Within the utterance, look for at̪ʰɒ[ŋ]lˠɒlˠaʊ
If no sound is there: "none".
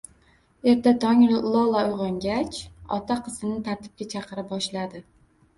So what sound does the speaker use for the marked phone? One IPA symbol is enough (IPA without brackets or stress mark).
ŋ